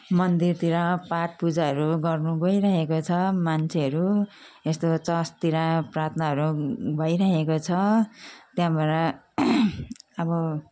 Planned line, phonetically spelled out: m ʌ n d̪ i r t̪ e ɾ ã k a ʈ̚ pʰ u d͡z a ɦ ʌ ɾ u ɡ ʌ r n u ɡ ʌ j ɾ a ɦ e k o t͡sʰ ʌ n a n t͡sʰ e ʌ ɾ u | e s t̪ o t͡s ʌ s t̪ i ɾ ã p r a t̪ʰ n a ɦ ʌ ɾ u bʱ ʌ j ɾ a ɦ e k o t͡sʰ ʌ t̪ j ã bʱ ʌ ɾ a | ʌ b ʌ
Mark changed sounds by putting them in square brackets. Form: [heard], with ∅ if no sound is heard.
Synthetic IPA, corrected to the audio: m ʌ n d̪ i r t̪ [i] ɾ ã [p] a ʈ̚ [p] u d͡z a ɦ ʌ ɾ u ɡ ʌ r n u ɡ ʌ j ɾ a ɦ e k o t͡sʰ ʌ [m] a n t͡sʰ e ʌ ɾ u | e s t̪ o t͡s ʌ s t̪ i ɾ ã p r a t̪ʰ n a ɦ ʌ ɾ u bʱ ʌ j ɾ a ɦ e k o t͡sʰ ʌ t̪ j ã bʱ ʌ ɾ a | ʌ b ʌ